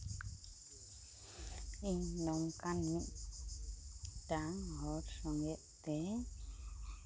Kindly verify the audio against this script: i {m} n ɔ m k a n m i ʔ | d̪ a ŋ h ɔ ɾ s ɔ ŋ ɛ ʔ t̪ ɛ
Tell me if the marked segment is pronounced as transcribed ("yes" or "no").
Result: no